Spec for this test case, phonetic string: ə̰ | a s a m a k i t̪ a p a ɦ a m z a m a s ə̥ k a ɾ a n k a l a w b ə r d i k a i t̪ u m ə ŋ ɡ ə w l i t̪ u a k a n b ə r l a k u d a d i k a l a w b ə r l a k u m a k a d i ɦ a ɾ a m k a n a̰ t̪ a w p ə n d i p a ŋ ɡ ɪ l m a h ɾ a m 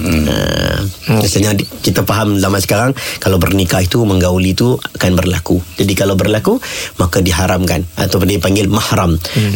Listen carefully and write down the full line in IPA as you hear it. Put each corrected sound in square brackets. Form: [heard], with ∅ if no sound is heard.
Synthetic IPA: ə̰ | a s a [ɲ] a k i t̪ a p a ɦ a m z a m a s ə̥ k a ɾ a [ŋ] k a l a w b ə r [n] i k a i t̪ u m ə ŋ ɡ [a] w l i t̪ u a k a n b ə r l a k u [d͡ʒ] a d i k a l a w b ə r l a k u m a k a d i ɦ a ɾ a m k a n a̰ t̪ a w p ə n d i p a ŋ ɡ ɪ l m a h ɾ a m